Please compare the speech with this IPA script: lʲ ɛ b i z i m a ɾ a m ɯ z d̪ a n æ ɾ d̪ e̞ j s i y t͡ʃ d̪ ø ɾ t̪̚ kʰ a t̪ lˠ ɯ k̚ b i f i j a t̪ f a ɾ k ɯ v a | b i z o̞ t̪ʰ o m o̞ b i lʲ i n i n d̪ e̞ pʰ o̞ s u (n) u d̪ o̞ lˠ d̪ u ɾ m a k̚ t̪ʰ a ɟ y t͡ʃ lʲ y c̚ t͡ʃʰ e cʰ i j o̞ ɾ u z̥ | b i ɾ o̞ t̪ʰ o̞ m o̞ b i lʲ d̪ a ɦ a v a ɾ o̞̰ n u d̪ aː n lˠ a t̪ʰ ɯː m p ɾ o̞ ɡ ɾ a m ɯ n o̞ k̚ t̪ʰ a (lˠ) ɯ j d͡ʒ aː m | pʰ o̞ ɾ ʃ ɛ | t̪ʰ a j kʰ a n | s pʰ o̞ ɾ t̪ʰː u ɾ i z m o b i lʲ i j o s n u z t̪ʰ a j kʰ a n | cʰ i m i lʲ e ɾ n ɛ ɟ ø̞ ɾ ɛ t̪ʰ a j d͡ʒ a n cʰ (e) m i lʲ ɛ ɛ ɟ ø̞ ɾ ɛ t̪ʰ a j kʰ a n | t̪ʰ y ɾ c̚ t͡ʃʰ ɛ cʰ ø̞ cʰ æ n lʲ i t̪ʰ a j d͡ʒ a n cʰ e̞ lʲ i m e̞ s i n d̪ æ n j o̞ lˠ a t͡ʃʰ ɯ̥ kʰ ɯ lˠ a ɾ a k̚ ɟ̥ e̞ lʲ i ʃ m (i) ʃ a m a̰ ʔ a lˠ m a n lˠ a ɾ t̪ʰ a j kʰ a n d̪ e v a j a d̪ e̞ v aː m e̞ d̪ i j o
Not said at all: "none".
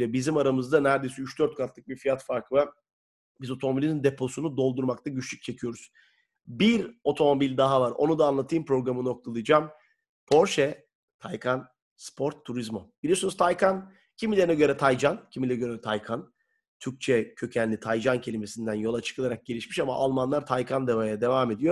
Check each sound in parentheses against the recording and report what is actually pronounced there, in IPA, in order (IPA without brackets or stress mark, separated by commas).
n, lˠ, i, i